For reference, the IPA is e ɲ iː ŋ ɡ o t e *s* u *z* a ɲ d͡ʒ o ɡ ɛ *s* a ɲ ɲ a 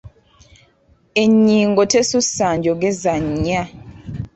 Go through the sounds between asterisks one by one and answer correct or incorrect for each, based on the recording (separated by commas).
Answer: correct, incorrect, incorrect